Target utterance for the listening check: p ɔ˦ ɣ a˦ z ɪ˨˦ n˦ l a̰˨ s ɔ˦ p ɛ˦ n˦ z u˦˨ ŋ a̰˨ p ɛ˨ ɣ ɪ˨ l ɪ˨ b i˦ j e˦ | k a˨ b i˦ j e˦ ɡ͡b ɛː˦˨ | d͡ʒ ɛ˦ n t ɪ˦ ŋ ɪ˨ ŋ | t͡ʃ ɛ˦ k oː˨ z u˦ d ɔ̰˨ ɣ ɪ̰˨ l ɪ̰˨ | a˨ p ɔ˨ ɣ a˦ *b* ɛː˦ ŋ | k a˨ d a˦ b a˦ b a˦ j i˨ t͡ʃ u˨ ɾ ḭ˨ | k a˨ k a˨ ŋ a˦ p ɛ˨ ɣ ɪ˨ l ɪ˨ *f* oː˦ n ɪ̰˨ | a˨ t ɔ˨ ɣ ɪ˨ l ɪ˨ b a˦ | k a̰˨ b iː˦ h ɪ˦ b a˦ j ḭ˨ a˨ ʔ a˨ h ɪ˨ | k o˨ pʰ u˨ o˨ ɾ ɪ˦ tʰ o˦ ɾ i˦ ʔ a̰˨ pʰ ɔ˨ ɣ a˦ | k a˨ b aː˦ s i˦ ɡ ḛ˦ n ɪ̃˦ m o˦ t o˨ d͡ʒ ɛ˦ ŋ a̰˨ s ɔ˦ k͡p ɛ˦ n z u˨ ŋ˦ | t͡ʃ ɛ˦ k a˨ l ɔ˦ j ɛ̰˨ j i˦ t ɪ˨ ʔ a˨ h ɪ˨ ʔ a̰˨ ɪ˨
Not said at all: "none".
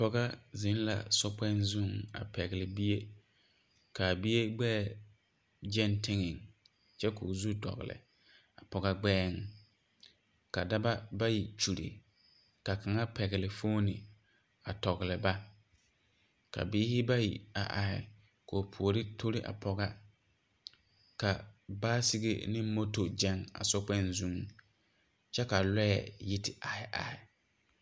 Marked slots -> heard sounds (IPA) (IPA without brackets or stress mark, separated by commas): ɡ͡b, f